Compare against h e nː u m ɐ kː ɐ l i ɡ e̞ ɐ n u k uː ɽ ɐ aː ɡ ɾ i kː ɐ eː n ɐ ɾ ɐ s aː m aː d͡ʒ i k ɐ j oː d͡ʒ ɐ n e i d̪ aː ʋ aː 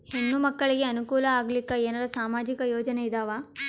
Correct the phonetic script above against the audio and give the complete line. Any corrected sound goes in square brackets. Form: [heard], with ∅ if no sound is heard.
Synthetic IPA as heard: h e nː u m ɐ kː ɐ [ɭ] i ɡ e̞ ɐ n u k uː [l] ɐ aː ɡ [l] i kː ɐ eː n ɐ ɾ ɐ s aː m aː d͡ʒ i k ɐ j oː d͡ʒ ɐ n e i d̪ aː ʋ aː